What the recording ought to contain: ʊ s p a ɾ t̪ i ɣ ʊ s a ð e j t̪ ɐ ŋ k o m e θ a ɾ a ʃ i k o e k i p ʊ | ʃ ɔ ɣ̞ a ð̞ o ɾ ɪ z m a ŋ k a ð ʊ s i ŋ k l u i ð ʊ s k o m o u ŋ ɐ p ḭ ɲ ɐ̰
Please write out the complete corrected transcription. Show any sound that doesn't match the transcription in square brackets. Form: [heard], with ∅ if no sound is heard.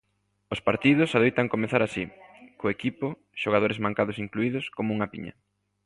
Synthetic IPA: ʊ s p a ɾ t̪ i [ð] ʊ s a ð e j t̪ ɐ ŋ k o m e θ a ɾ a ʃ i k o e k i p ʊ | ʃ [o] ɣ̞ a ð̞ o ɾ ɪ z m a ŋ k a ð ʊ s i ŋ k l u i ð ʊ s k o m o u ŋ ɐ p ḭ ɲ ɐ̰